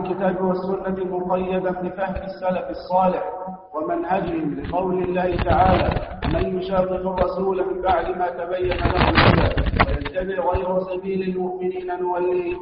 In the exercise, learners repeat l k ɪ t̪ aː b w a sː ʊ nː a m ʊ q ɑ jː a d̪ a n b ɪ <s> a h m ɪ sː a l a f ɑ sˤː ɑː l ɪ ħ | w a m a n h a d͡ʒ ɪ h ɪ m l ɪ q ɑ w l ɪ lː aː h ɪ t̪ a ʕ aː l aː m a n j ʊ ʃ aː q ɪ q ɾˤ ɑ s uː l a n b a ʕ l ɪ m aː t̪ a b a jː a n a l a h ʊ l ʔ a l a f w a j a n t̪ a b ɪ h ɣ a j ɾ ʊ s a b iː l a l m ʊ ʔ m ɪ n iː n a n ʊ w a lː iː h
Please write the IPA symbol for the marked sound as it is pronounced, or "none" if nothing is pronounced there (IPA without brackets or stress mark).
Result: f